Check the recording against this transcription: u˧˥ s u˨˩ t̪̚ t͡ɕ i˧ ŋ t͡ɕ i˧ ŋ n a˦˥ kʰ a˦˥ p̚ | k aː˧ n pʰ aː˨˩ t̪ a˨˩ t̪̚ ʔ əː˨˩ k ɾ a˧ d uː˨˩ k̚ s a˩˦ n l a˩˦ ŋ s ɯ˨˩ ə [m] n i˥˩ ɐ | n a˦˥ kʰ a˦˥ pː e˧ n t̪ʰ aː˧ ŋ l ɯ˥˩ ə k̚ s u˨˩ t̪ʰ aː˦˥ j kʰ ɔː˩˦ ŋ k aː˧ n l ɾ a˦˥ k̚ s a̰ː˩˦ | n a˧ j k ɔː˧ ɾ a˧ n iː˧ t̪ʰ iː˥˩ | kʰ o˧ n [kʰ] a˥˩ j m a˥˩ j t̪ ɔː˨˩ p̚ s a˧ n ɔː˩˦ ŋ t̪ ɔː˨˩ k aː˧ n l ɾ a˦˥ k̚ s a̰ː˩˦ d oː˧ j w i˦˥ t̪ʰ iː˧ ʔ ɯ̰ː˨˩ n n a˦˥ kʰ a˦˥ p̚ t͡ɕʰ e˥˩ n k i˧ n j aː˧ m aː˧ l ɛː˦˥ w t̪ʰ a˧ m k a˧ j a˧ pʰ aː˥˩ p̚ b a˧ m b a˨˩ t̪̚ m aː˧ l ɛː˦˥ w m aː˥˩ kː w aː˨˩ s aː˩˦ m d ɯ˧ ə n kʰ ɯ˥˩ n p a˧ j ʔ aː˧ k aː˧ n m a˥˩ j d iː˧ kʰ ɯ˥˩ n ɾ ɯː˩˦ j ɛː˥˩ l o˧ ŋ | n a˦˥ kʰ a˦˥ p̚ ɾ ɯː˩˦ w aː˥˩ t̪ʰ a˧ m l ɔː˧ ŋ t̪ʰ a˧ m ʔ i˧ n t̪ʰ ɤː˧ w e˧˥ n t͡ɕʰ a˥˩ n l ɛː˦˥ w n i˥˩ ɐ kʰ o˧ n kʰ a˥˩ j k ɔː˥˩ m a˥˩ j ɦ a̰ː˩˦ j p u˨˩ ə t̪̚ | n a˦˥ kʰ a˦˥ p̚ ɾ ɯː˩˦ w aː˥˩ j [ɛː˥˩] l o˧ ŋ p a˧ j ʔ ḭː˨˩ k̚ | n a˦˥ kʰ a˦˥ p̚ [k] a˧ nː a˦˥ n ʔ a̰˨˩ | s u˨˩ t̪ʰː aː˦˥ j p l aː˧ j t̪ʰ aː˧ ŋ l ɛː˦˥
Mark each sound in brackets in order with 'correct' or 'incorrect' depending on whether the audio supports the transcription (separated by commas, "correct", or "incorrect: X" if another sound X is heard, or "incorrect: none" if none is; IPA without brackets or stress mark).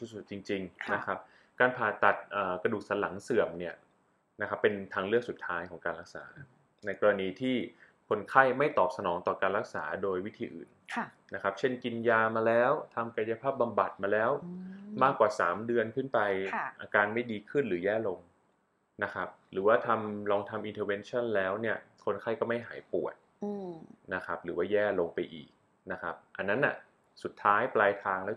correct, correct, correct, incorrect: ʔ